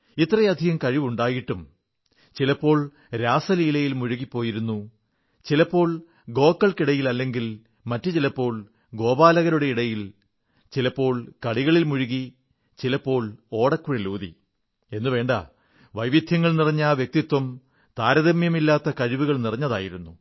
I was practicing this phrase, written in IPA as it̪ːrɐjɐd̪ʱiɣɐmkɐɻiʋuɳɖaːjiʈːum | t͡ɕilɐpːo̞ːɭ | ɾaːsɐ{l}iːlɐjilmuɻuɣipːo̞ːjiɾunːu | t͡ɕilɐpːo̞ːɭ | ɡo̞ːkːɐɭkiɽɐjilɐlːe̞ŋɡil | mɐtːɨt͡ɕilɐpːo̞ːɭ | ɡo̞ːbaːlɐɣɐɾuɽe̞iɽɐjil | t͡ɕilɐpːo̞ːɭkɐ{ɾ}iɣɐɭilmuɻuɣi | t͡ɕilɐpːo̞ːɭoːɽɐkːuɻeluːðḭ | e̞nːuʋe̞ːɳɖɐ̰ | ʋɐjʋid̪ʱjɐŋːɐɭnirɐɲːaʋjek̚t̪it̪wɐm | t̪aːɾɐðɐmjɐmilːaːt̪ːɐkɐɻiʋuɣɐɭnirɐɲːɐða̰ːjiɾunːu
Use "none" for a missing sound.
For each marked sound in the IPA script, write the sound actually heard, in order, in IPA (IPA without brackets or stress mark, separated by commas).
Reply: l, ɽ